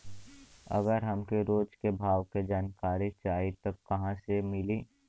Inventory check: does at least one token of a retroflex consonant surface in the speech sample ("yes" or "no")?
no